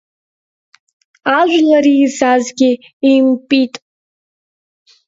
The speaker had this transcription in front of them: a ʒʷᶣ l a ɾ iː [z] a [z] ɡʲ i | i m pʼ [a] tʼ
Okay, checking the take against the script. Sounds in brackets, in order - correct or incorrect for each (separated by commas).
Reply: correct, correct, incorrect